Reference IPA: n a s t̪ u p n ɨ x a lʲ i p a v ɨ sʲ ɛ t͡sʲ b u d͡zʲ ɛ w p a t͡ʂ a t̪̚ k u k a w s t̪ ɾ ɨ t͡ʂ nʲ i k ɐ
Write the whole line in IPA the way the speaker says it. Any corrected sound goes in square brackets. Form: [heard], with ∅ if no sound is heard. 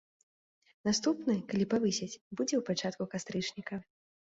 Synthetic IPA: n a s t̪ u p n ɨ [k] a lʲ i p a v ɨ sʲ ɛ t͡sʲ b u d͡zʲ ɛ w p a t͡ʂ a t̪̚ k u k a [∅] s t̪ ɾ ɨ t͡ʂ nʲ i k ɐ